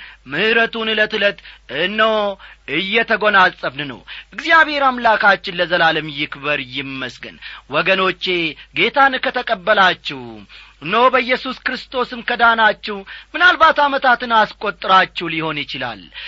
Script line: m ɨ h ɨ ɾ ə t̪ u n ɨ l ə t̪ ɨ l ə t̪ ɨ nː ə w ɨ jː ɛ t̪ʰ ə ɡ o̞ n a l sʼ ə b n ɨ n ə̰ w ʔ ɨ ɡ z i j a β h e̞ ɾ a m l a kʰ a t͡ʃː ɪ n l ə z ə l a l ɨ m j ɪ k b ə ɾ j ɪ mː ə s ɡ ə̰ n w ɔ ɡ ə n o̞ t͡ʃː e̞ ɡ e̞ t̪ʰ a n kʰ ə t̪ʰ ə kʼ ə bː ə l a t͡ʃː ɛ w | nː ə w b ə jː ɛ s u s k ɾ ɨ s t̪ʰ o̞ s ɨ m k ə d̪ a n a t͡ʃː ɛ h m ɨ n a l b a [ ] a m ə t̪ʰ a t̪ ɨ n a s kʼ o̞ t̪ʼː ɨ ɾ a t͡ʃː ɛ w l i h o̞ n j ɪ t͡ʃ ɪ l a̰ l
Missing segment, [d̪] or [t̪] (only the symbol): t̪